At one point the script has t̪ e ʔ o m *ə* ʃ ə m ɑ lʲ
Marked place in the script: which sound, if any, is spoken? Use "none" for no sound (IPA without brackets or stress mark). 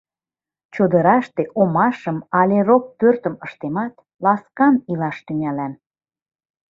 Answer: ɑ